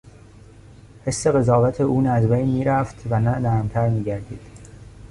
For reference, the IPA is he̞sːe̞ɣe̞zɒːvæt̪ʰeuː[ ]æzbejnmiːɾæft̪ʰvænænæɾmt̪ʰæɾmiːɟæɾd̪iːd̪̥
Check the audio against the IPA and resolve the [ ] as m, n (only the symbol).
n